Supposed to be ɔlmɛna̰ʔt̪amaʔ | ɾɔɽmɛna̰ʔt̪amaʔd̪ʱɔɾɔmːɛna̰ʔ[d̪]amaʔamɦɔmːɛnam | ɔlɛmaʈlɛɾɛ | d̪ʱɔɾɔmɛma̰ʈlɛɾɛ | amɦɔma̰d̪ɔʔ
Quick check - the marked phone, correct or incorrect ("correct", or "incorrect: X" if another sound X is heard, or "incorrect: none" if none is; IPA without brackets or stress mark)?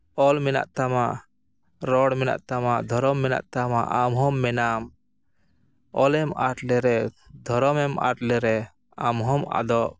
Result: incorrect: t̪